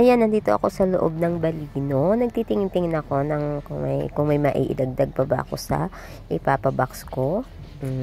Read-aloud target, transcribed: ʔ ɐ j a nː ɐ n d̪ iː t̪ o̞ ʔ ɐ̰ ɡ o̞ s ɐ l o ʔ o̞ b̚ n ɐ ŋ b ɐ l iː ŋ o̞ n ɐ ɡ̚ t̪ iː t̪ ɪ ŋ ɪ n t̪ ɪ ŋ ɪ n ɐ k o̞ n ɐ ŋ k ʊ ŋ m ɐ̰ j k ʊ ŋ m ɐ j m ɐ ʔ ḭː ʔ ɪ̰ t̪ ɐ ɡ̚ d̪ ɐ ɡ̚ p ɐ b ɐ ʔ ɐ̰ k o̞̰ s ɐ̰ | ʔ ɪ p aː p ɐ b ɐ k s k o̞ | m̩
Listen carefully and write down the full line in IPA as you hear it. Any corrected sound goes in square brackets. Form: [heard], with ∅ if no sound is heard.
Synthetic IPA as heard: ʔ ɐ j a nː ɐ n d̪ iː t̪ o̞ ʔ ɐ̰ [k] o̞ s ɐ l o ʔ o̞ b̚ n ɐ ŋ b ɐ l iː [n] o̞ n ɐ ɡ̚ t̪ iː t̪ ɪ ŋ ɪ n t̪ ɪ ŋ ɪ n ɐ k o̞ n ɐ ŋ k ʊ ŋ m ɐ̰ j k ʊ ŋ m ɐ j m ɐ ʔ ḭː ʔ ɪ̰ [d̪] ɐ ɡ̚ d̪ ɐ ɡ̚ p ɐ b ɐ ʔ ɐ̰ k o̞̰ s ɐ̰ | ʔ ɪ p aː p ɐ b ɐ k s k o̞ | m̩

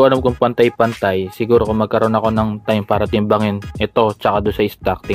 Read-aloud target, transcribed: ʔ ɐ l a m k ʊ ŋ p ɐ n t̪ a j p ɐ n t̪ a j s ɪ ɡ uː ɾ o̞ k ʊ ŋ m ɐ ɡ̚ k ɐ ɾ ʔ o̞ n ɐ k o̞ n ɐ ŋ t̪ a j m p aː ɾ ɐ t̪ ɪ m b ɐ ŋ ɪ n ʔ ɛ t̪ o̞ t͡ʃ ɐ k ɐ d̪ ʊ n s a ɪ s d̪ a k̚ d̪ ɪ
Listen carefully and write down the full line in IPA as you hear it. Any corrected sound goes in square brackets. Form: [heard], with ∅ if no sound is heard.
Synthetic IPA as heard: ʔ ɐ l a m k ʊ ŋ p ɐ n t̪ a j p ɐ n t̪ a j s ɪ ɡ uː ɾ o̞ k ʊ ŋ m ɐ ɡ̚ k ɐ ɾ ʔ o̞ n ɐ k o̞ n ɐ ŋ t̪ a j m p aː ɾ ɐ t̪ ɪ m b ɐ ŋ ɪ n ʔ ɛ t̪ o̞ t͡ʃ ɐ k [a] d̪ ʊ n s [ɐ] ɪ s [t̪] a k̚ [t̪] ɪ

